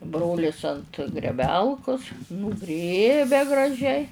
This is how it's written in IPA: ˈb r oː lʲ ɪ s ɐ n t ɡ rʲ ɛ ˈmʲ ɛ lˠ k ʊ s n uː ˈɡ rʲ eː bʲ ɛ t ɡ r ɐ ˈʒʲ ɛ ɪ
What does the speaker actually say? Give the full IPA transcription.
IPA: ˈb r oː lʲ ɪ s ɐ n t ɡ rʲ ɛ ˈbʲ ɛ lˠ k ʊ s n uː ˈɡ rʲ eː bʲ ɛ ɡ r ɐ ˈʒʲ ɛ ɪ